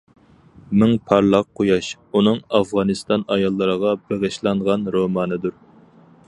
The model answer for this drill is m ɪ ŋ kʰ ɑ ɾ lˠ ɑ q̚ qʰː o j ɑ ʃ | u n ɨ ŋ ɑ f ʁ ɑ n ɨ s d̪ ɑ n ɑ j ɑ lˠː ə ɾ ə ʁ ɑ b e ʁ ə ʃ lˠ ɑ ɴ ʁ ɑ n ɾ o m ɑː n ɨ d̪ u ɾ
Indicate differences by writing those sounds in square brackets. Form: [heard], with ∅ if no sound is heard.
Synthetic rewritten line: m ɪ ŋ [pʰ] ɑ ɾ lˠ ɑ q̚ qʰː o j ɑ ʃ | u n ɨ ŋ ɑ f ʁ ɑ n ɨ s [t̪] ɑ n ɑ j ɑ lˠː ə ɾ ə ʁ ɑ b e ʁ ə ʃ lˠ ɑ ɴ ʁ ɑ n ɾ o m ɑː n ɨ d̪ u ɾ